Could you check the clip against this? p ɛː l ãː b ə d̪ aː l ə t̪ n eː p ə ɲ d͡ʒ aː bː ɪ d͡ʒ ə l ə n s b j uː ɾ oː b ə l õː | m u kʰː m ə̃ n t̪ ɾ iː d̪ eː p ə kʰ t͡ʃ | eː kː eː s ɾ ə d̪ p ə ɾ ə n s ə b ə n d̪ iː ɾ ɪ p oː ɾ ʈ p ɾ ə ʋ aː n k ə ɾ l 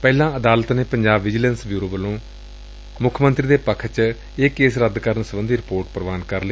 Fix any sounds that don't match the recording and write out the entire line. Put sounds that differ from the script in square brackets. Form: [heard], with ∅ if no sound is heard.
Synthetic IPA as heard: p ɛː l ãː [∅] ə d̪ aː l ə t̪ n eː p ə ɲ d͡ʒ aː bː ɪ d͡ʒ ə l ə n s b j uː ɾ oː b ə l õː | m [ʊ] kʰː m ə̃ n t̪ ɾ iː d̪ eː p ə kʰ t͡ʃ | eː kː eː s ɾ ə d̪ [k] ə ɾ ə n s ə b ə n d̪ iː ɾ ɪ p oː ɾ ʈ p ɾ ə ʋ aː n k ə ɾ l